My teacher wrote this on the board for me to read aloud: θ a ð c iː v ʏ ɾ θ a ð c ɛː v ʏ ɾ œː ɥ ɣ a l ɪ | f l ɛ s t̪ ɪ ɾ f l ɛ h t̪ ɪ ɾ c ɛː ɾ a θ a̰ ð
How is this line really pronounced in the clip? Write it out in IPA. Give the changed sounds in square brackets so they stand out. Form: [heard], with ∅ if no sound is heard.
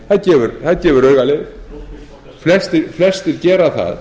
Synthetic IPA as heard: θ a ð c [ɛː] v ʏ ɾ θ a ð c ɛː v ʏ ɾ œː ɥ ɣ a l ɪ | f l ɛ s t̪ ɪ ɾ f l ɛ [s] t̪ ɪ ɾ c ɛː ɾ a θ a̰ ð

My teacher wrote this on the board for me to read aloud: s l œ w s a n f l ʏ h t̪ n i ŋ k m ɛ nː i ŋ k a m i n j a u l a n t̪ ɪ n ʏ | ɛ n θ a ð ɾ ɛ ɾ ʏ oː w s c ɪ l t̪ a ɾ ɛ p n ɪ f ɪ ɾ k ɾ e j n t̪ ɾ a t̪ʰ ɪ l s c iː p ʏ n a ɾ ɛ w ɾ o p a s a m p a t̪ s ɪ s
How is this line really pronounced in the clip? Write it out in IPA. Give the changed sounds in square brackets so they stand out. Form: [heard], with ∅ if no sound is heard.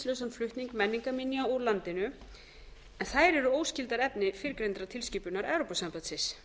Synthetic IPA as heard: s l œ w s a n f l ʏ h t̪ n i ŋ k m ɛ nː i ŋ k a m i n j a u l a n t̪ ɪ n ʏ | ɛ n θ a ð ɾ ɛ ɾ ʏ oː w s c ɪ l t̪ a ɾ ɛ p n ɪ f ɪ ɾ k ɾ e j n t̪ ɾ a t̪ʰ ɪ l s c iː p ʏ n a ɾ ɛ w ɾ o p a s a m p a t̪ s ɪ s

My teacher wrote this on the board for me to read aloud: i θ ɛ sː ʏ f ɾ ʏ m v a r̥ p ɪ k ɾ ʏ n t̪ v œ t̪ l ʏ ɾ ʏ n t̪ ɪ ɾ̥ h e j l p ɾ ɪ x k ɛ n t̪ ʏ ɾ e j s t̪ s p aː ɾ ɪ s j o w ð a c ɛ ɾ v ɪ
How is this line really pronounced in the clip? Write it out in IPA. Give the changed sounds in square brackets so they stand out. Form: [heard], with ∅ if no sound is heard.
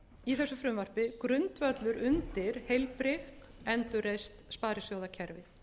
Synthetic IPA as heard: i θ ɛ sː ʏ f ɾ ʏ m v a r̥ p ɪ k ɾ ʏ n t̪ v œ t̪ l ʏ ɾ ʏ n t̪ ɪ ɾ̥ h e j l p ɾ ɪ x k ɛ n t̪ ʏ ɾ e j s t̪ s p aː ɾ ɪ s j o w ð a [cʰ] ɛ ɾ v ɪ

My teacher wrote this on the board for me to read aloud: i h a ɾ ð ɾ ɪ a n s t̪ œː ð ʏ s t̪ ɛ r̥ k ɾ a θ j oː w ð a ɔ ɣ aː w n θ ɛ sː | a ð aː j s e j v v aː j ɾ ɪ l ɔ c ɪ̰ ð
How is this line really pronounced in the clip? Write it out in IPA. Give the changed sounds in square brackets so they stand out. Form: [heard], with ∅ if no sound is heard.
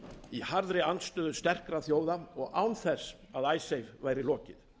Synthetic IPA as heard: i h a ɾ ð ɾ ɪ a n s t̪ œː ð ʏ s t̪ ɛ r̥ k ɾ a θ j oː w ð a ɔ ɣ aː w n θ ɛ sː | a ð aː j s e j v v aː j ɾ ɪ l [ɔː] c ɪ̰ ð

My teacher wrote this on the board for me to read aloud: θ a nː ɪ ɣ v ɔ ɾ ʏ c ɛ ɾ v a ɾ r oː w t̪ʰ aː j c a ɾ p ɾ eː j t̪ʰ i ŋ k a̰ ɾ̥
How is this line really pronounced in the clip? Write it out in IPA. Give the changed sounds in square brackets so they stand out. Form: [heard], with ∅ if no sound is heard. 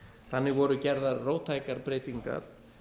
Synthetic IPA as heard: θ a nː ɪ ɣ v ɔ ɾ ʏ c ɛ ɾ [ð] a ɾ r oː w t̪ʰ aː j [k] a ɾ p ɾ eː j [t̪] i ŋ k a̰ ɾ̥

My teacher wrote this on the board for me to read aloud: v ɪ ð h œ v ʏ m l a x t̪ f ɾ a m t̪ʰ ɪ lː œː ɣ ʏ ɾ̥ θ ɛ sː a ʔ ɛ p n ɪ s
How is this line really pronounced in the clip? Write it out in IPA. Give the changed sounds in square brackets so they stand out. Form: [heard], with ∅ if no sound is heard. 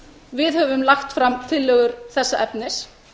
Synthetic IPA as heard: v ɪ ð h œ v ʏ m l a x t̪ f ɾ a m t̪ʰ ɪ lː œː ɣ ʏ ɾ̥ θ ɛ sː a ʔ ɛ p n ɪ s

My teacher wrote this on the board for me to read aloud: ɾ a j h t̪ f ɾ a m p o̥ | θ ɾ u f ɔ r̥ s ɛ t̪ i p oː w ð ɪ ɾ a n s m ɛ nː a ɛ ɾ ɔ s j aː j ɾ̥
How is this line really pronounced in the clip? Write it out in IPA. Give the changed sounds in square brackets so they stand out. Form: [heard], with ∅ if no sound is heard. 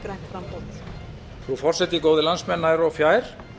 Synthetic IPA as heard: ɾ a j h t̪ f ɾ a m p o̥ | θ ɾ u f ɔ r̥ s ɛ t̪ i [k] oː w ð ɪ [l] a n s m ɛ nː a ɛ ɾ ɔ [f] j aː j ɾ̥

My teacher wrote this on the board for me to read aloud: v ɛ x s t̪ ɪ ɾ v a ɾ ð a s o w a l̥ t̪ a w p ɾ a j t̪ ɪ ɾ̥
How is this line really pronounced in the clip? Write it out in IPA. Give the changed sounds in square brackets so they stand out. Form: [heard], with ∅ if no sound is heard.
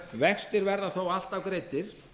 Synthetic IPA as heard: v ɛ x s t̪ ɪ ɾ v [ɛ] ɾ ð a [θ] o w a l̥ t̪ a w [k] ɾ [e] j t̪ ɪ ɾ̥

